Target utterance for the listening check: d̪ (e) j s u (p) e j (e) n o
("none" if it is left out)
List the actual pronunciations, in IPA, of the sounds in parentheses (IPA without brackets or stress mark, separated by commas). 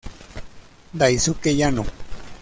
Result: a, k, a